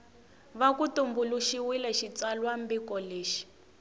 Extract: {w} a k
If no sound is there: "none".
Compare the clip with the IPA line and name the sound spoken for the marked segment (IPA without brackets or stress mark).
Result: β